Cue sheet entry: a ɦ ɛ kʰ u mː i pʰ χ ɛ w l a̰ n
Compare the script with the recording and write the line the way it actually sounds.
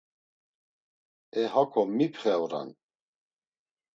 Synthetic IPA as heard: ɛ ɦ a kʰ ɔ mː i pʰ χ ɛ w ɾ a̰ n